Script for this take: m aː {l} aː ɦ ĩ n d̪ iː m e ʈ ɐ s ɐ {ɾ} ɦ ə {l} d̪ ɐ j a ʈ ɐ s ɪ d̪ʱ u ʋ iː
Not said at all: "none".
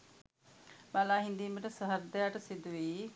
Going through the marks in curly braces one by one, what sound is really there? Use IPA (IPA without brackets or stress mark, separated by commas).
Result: l, none, ɾ